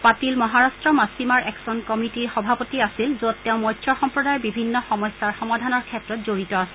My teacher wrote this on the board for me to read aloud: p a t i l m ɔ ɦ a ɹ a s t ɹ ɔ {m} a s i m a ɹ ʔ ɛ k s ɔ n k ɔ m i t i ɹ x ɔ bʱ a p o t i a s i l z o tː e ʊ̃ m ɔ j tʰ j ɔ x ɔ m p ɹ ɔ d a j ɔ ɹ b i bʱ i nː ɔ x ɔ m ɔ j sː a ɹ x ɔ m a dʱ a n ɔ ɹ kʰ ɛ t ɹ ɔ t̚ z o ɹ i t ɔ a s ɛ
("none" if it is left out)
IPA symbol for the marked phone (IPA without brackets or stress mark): m